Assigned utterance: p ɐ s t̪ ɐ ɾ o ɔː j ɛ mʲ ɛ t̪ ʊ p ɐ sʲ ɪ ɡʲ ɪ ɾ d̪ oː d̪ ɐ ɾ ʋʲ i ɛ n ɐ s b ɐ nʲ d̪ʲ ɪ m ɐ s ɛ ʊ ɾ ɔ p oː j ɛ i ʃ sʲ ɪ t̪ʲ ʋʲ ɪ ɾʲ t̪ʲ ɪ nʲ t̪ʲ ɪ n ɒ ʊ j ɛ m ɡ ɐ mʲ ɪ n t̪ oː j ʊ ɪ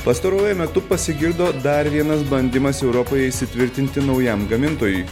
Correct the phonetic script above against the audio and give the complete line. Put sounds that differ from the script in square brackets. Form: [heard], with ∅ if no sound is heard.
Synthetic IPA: p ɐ s t̪ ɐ ɾ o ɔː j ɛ mʲ ɛ t̪ ʊ p ɐ sʲ ɪ ɡʲ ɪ ɾ d̪ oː d̪ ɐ ɾ ʋʲ i ɛ n ɐ s b ɐ nʲ d̪ʲ ɪ m ɐ s ɛ ʊ ɾ ɔ p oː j ɛ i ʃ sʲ ɪ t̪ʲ ʋʲ ɪ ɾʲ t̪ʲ ɪ nʲ t̪ʲ ɪ n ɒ ʊ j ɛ m ɡ ɐ mʲ ɪ n t̪ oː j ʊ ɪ